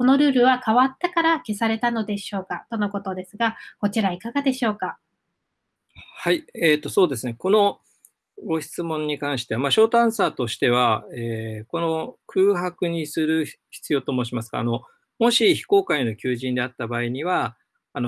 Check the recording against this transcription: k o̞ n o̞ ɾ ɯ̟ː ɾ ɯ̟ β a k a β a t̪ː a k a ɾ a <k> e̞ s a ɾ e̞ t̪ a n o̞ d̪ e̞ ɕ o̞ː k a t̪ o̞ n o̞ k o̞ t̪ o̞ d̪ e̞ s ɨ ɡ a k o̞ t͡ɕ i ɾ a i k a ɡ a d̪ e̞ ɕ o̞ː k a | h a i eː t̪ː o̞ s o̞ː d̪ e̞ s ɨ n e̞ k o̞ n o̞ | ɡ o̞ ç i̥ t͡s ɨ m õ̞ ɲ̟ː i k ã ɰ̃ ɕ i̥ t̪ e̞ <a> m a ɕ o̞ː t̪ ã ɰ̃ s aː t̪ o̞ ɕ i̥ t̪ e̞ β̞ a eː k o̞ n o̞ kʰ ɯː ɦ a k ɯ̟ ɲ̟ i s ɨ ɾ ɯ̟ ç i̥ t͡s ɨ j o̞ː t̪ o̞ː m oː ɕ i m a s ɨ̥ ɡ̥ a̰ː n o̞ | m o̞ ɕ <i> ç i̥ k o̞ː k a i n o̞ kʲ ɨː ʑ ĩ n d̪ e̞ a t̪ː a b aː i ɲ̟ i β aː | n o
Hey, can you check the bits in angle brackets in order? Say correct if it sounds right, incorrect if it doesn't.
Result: correct, correct, correct

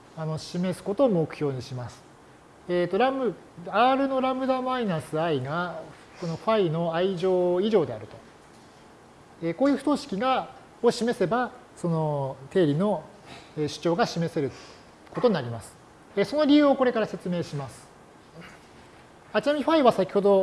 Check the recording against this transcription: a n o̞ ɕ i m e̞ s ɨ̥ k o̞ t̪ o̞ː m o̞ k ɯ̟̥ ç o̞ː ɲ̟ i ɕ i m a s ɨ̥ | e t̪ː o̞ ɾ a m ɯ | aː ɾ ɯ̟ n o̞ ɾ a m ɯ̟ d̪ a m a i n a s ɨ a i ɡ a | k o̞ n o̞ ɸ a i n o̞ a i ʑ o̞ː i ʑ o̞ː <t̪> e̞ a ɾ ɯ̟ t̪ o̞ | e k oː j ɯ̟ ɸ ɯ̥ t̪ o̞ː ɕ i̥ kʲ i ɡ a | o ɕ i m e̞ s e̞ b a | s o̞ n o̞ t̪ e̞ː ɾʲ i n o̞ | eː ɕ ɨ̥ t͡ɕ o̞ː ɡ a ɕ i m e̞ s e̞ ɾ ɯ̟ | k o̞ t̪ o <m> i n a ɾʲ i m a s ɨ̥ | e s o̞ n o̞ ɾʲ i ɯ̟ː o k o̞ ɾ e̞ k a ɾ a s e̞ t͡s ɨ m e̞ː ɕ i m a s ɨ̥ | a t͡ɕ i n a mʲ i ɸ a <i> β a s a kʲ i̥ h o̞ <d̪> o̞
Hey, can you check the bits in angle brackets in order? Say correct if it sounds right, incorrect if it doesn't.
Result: incorrect, incorrect, correct, correct

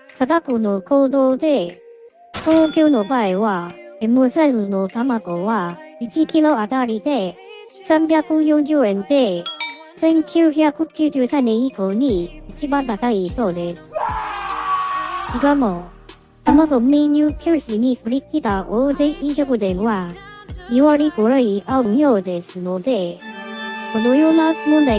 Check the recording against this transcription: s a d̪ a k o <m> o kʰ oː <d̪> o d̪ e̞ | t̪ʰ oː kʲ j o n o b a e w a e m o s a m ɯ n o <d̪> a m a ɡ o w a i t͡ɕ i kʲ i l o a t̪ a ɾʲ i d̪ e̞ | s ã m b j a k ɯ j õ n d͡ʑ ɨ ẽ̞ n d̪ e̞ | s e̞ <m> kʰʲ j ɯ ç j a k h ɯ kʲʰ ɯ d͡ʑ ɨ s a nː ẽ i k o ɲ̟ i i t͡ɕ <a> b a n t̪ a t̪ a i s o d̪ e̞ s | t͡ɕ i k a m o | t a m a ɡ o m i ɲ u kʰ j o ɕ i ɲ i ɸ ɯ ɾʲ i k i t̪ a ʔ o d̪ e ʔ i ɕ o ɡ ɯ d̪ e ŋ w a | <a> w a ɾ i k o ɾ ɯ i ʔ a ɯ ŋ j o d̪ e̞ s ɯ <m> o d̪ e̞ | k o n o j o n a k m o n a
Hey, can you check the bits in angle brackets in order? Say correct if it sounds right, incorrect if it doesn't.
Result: incorrect, correct, incorrect, incorrect, incorrect, incorrect, incorrect

